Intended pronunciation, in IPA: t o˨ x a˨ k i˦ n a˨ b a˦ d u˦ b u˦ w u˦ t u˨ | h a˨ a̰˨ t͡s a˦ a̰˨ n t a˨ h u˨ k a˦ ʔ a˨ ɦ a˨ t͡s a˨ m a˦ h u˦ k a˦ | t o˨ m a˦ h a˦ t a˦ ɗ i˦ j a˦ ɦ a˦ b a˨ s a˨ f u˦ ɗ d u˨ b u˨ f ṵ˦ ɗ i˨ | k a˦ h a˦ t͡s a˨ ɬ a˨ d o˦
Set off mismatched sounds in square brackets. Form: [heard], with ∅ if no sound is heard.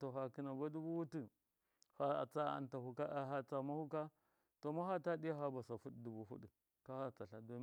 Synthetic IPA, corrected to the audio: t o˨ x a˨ k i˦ n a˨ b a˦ d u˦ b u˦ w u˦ t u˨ | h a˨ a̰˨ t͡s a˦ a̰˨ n t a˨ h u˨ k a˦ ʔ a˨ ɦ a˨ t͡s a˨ m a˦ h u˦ k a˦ | t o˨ m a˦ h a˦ t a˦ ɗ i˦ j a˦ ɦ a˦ b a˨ s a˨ f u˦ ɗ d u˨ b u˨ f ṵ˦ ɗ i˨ | k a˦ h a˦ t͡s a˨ ɬ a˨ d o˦